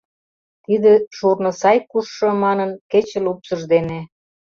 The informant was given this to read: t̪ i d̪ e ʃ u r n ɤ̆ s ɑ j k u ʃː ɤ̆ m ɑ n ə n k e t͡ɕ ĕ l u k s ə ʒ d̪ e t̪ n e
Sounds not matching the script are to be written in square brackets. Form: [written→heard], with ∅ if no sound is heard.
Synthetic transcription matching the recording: t̪ i d̪ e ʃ u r n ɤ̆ s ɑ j k u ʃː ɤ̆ m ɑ n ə n k e t͡ɕ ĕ l u [k→p] s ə ʒ d̪ e [t̪→∅] n e